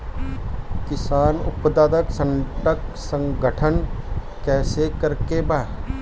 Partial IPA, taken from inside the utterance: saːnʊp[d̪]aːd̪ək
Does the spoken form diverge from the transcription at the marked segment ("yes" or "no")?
no